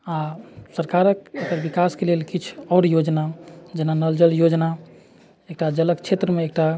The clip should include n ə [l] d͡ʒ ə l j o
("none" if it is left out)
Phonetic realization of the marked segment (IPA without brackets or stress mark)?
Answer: l